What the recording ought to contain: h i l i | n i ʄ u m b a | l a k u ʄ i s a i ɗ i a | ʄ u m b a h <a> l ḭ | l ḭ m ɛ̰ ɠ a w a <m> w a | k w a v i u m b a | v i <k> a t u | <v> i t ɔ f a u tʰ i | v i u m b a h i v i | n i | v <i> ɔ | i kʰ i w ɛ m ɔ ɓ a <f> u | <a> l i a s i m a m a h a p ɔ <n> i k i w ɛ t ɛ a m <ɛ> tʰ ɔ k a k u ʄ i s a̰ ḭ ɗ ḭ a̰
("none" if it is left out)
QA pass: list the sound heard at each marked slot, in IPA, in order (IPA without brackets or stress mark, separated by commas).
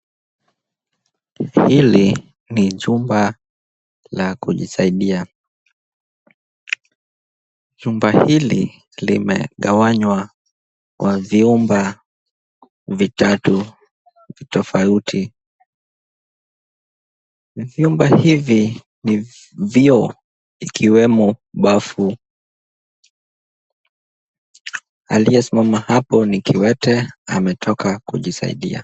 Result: i, ɲ, t, v, i, f, a, n, ɛ